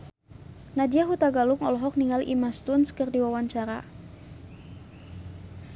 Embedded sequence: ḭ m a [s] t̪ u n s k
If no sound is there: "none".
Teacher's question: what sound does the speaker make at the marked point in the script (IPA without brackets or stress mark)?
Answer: s